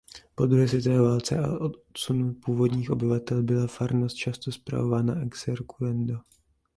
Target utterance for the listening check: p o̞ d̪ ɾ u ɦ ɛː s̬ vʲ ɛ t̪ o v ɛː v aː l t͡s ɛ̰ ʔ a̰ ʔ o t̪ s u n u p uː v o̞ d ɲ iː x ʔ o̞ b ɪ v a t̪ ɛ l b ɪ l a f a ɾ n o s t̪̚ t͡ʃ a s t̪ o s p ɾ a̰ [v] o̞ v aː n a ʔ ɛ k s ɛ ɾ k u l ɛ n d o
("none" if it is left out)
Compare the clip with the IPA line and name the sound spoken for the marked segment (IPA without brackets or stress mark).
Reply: v